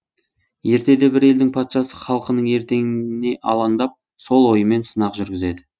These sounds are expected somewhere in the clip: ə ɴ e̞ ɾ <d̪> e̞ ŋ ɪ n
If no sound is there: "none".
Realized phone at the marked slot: t̪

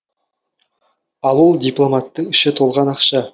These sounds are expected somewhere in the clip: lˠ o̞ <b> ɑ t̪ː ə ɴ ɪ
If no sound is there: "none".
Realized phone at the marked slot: m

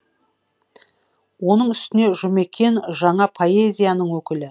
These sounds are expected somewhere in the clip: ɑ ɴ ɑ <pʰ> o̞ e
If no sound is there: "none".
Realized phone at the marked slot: pʰ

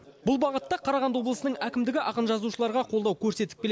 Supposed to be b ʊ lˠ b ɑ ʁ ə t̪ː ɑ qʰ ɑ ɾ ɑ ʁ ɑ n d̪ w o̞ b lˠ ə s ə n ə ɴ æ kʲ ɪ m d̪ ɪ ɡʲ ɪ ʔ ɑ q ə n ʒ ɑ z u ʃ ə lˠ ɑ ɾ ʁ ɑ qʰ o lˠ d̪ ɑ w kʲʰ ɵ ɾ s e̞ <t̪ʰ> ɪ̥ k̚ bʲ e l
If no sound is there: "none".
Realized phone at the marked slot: t̪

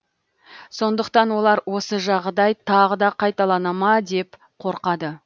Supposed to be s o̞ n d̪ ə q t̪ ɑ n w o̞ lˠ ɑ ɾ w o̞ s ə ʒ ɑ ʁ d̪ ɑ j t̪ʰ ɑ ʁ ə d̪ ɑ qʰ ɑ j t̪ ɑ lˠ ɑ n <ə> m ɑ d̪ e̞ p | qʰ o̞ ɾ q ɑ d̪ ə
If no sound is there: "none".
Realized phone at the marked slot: ɑ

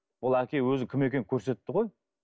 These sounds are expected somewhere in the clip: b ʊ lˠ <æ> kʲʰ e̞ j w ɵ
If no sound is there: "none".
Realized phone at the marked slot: æ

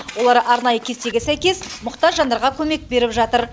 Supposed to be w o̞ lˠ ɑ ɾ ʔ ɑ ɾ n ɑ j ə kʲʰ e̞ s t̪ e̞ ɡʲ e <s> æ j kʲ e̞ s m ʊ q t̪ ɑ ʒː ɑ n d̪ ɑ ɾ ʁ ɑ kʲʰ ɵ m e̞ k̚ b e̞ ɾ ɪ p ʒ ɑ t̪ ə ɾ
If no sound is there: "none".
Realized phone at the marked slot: s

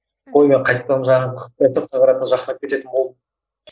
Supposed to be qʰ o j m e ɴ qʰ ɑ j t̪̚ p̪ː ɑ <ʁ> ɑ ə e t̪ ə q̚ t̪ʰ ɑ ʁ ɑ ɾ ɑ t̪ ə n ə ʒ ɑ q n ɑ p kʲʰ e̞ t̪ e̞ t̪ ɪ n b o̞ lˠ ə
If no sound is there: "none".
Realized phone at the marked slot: ʒ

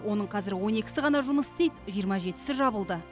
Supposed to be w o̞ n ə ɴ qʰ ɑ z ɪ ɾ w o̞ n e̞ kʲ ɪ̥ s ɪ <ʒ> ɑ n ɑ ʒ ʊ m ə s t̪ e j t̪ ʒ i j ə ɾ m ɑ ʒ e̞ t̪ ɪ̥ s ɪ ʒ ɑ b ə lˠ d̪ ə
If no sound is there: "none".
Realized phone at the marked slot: ʁ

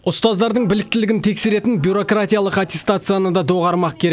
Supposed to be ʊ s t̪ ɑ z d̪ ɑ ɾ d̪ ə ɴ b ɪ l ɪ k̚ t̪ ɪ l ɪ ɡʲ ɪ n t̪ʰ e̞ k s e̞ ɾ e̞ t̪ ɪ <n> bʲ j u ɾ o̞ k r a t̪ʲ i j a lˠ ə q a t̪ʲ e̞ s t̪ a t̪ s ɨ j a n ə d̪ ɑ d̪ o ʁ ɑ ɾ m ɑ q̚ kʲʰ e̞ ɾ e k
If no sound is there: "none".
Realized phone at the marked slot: n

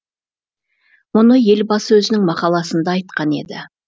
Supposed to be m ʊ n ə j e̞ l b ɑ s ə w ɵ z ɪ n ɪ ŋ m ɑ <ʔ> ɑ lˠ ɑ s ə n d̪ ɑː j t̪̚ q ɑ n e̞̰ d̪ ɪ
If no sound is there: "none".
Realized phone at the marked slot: q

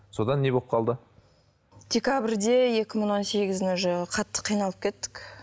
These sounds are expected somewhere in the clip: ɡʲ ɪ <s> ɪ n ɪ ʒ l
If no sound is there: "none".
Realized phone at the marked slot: z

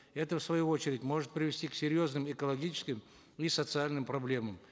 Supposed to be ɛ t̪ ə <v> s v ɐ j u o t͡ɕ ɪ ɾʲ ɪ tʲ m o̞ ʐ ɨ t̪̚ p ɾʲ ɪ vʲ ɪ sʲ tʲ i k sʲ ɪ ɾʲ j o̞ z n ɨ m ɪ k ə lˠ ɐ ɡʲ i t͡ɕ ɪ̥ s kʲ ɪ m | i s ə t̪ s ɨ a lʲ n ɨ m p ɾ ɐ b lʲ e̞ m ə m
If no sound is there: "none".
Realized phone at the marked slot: f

